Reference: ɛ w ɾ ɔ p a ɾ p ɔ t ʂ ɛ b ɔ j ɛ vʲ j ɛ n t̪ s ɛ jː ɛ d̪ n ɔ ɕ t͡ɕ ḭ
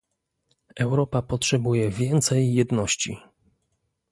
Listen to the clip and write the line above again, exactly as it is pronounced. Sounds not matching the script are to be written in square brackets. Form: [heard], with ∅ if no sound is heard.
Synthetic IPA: ɛ w ɾ ɔ p a [∅] p ɔ t ʂ ɛ b [u] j ɛ vʲ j ɛ n t̪ s ɛ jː ɛ d̪ n ɔ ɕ t͡ɕ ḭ